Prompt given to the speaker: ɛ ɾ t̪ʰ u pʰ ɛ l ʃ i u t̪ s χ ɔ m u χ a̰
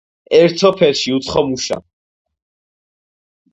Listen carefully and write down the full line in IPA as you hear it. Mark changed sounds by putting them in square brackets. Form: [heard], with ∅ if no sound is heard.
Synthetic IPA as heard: ɛ ɾ t̪ʰ [ɔ] pʰ ɛ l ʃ i u t̪ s χ ɔ m u [ʃ] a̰